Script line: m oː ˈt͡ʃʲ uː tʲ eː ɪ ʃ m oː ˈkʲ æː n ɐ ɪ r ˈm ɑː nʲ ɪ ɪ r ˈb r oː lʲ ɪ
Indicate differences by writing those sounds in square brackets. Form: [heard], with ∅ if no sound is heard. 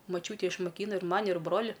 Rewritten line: m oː ˈt͡ʃʲ uː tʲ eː ɪ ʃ m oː ˈkʲ [iː] n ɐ ɪ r ˈm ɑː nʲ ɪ ɪ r ˈb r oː lʲ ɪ

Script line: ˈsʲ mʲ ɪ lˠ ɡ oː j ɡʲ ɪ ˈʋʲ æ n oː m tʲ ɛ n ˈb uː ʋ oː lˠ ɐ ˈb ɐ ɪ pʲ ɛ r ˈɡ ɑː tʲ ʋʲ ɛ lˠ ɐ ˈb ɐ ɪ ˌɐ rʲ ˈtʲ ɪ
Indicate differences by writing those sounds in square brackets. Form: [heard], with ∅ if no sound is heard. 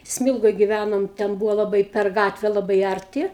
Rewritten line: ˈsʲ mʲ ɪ lˠ ɡ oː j ɡʲ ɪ ˈʋʲ æ n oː m tʲ ɛ n ˈb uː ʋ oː lˠ ɐ ˈb ɐ ɪ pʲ ɛ r ˈɡ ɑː tʲ ʋʲ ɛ lˠ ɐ ˈb ɐ ɪ ˌɐ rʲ ˈtʲ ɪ

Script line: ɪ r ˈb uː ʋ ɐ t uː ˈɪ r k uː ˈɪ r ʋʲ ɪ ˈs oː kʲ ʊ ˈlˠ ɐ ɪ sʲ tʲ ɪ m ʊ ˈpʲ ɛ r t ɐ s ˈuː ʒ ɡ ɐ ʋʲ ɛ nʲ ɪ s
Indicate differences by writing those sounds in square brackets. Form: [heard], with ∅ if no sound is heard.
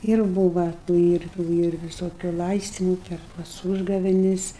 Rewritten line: ɪ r ˈb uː ʋ ɐ t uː ˈɪ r [t] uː ˈɪ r ʋʲ ɪ ˈs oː kʲ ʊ ˈlˠ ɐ ɪ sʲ tʲ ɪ m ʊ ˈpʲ ɛ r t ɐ s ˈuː ʒ ɡ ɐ ʋʲ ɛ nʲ ɪ s

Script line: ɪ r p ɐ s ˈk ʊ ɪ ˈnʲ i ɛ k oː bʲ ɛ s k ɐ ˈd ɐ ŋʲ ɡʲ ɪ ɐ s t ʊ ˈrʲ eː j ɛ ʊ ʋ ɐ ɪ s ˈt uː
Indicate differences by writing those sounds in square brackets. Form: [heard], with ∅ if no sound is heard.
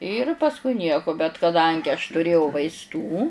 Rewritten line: ɪ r p ɐ s ˈk ʊ ɪ ˈnʲ i ɛ k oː bʲ ɛ [t] k ɐ ˈd ɐ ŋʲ ɡʲ ɪ ɐ [ʃ] t ʊ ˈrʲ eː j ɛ ʊ ʋ ɐ ɪ s ˈt uː

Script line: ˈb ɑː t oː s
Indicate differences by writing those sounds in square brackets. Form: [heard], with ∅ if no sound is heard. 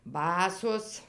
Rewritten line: ˈb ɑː [s] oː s

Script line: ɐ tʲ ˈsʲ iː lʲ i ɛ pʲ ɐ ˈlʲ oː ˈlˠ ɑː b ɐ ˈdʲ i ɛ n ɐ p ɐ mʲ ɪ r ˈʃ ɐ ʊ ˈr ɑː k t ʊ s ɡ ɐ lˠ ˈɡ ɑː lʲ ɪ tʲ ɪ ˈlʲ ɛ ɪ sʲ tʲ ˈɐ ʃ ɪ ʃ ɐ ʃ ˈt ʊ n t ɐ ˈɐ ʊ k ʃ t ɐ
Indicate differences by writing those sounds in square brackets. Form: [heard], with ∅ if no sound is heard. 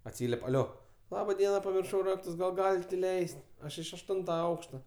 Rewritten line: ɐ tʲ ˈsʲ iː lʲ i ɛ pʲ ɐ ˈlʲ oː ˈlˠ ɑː b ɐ ˈdʲ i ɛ n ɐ p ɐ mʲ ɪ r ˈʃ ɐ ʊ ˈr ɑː k t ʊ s ɡ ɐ lˠ ˈɡ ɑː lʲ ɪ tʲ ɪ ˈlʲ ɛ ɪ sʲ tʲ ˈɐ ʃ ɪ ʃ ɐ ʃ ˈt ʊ n t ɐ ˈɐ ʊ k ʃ t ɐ

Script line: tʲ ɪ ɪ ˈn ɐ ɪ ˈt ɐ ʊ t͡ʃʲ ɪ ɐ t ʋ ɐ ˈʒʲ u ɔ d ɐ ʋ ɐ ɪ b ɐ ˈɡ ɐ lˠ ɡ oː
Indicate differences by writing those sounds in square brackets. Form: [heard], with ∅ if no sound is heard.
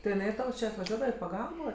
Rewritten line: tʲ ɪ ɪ ˈn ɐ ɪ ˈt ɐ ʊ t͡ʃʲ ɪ ɐ t ʋ ɐ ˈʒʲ u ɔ d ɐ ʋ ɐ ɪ [p] ɐ ˈɡ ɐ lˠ [b] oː

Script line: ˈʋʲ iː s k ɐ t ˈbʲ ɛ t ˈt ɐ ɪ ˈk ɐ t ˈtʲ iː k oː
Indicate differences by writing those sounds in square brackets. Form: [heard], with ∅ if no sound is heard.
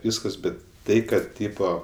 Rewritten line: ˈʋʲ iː s k ɐ [s] ˈbʲ ɛ t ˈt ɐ ɪ ˈk ɐ t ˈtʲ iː [p] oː

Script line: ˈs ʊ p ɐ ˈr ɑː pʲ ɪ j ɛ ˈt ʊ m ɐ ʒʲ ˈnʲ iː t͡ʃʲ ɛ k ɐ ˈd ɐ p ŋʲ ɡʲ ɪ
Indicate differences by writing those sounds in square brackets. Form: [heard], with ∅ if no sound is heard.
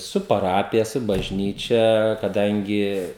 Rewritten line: ˈs ʊ p ɐ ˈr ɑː pʲ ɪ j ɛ [ˈs] ʊ [b] ɐ ʒʲ ˈnʲ iː t͡ʃʲ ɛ k ɐ ˈd ɐ [∅] ŋʲ ɡʲ ɪ

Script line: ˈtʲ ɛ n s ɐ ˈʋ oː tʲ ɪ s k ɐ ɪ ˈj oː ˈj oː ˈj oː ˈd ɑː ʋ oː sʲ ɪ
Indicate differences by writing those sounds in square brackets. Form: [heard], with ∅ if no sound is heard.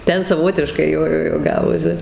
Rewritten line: ˈtʲ ɛ n s ɐ ˈʋ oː tʲ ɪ [ʃ] k ɐ ɪ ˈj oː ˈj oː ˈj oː [ˈɡ] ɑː ʋ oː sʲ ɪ

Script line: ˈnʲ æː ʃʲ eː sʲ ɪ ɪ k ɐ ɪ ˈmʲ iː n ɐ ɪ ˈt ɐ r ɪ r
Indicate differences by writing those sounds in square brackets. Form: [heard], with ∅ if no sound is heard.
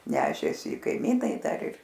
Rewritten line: ˈnʲ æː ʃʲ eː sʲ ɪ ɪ k ɐ ɪ ˈmʲ iː n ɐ ɪ [ˈd] ɐ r ɪ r

